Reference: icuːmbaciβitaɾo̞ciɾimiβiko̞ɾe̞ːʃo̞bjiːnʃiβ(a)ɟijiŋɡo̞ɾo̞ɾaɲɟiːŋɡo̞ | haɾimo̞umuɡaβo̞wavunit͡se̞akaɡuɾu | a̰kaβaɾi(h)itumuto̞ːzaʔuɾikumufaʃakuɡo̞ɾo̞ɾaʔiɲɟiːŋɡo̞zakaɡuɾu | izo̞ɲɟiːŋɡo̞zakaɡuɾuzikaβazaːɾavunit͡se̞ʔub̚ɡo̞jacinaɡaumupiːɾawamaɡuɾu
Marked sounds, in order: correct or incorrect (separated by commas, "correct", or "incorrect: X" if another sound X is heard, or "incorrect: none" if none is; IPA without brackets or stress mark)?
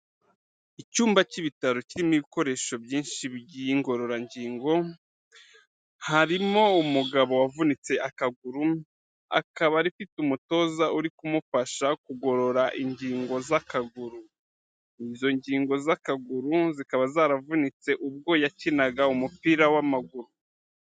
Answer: incorrect: i, incorrect: f